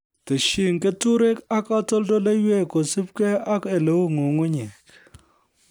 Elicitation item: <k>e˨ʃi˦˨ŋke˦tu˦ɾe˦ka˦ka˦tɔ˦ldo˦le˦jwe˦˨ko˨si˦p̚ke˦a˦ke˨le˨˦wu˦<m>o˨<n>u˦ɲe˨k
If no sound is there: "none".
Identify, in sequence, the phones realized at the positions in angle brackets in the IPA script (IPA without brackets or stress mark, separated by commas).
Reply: t, ŋ, ŋ